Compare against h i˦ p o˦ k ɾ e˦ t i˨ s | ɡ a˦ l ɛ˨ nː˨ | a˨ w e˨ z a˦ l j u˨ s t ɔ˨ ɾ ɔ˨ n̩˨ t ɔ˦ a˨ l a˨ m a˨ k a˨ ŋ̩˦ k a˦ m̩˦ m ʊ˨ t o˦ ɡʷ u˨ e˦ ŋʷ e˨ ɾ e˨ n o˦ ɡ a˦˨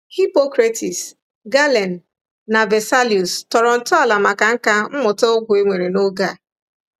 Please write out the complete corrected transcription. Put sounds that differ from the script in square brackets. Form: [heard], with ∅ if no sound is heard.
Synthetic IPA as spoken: h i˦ p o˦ k ɾ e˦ t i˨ s | ɡ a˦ l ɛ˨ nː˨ | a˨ [v] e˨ [s] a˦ l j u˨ s t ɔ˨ ɾ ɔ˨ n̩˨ t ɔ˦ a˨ l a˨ m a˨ k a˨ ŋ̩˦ k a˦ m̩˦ m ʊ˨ t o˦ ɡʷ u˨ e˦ ŋʷ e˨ ɾ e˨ n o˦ ɡ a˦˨